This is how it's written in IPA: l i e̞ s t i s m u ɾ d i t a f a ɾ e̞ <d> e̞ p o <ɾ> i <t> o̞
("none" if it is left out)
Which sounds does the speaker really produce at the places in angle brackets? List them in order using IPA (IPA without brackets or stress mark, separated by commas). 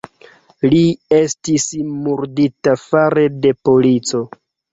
d, l, t͡s